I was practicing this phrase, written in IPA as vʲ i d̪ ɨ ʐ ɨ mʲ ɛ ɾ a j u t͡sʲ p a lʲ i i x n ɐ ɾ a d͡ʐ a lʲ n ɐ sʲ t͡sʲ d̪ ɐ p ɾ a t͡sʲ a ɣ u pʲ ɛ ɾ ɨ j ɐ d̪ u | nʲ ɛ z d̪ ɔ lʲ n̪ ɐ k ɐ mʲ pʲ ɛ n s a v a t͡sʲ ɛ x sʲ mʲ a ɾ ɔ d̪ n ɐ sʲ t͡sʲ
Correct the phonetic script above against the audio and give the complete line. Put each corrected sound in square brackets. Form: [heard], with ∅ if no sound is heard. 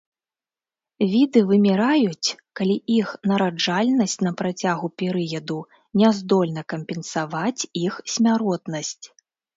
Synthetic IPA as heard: vʲ i d̪ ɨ [v] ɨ mʲ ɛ ɾ a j u t͡sʲ [k] a lʲ i i x n ɐ ɾ a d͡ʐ a lʲ n ɐ sʲ t͡sʲ [n̪] ɐ p ɾ a t͡sʲ a ɣ u pʲ ɛ ɾ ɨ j ɐ d̪ u | nʲ ɛ z d̪ ɔ lʲ n̪ ɐ k ɐ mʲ pʲ ɛ n s a v a t͡sʲ [i] x sʲ mʲ a ɾ ɔ [t̪] n ɐ sʲ t͡sʲ